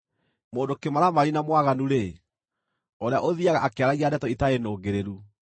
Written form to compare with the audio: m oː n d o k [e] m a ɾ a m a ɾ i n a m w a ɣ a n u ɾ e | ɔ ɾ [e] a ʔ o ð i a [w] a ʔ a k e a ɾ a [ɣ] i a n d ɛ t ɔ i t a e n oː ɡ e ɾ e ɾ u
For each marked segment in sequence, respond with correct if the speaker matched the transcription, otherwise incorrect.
correct, correct, incorrect, correct

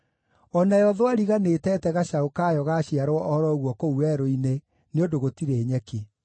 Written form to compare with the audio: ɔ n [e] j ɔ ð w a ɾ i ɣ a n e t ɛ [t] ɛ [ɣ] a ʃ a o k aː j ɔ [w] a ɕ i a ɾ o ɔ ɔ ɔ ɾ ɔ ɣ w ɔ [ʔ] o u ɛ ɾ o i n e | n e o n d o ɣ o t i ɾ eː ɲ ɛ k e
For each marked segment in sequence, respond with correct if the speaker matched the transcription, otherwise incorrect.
incorrect, correct, correct, incorrect, incorrect

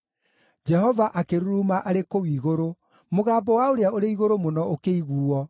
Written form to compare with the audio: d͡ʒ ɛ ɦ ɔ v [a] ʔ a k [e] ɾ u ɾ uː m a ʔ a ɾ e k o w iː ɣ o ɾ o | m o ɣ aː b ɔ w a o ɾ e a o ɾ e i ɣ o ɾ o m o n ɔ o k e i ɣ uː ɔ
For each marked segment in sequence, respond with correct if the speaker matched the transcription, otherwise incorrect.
correct, correct

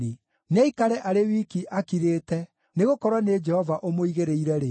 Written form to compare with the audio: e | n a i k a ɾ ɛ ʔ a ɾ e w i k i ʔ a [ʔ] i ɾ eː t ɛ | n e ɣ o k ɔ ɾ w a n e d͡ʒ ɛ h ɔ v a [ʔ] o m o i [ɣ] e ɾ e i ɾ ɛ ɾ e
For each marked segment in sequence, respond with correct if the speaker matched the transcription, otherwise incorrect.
incorrect, correct, correct

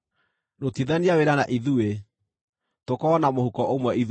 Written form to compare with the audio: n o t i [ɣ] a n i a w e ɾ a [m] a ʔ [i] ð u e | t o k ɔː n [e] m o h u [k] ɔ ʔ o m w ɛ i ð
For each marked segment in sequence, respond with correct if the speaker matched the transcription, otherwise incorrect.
incorrect, incorrect, correct, incorrect, correct

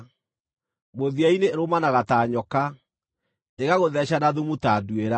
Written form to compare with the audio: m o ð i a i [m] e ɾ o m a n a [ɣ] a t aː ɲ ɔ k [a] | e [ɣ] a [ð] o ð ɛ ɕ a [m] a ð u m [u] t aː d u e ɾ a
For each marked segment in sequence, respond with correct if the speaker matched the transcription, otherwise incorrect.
incorrect, correct, correct, correct, incorrect, incorrect, correct

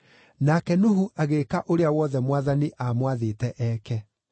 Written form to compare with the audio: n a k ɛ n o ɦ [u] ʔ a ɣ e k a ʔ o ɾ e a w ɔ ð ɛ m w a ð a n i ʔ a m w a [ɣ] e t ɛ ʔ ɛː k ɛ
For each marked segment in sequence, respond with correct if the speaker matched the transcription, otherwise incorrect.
correct, incorrect

